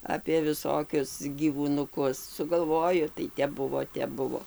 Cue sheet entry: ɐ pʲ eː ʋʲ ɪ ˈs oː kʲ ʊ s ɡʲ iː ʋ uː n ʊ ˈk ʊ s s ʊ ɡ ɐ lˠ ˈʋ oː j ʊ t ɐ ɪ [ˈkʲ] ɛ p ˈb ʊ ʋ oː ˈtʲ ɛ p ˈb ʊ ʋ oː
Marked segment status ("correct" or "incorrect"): incorrect